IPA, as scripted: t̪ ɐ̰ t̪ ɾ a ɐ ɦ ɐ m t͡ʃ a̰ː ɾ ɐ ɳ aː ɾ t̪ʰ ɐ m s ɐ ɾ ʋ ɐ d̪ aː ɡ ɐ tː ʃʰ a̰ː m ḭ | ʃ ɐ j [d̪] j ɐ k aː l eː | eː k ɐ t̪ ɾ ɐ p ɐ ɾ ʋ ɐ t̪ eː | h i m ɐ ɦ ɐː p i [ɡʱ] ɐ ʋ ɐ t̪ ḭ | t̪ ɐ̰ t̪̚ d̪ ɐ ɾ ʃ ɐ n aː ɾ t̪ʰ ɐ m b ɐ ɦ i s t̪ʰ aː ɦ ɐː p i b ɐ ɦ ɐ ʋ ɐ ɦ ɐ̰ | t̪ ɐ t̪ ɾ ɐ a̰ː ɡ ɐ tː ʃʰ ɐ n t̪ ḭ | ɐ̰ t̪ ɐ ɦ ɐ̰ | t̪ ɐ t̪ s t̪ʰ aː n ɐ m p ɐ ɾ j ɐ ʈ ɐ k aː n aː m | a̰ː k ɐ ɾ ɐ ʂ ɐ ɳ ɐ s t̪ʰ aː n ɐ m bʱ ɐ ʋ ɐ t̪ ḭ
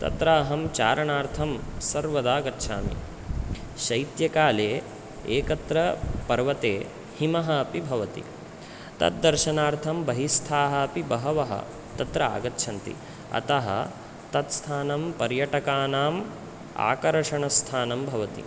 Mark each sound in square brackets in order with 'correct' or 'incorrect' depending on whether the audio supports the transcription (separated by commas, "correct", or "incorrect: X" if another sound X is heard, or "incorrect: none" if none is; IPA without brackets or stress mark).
incorrect: t̪, incorrect: bʱ